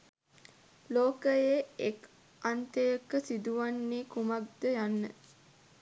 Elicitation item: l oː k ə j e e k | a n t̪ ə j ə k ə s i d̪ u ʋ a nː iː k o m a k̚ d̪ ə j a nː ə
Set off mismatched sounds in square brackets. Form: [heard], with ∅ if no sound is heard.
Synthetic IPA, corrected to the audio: l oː k ə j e e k | a n t̪ ə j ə k ə s i d̪ u ʋ a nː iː k [u] m a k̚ d̪ ə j a nː ə